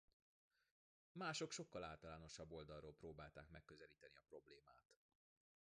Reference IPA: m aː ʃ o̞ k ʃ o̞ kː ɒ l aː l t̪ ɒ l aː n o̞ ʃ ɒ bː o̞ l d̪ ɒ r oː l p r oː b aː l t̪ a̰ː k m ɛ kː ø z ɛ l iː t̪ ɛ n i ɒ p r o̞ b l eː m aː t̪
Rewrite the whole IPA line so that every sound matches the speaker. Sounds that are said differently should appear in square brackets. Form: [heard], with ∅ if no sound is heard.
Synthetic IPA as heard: m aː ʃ o̞ k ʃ o̞ kː ɒ l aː l t̪ ɒ l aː n o̞ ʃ ɒ bː o̞ l d̪ ɒ r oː l p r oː b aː l t̪ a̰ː k m ɛ kː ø z ɛ l iː t̪ ɛ n i ɒ p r o̞ b l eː m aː t̪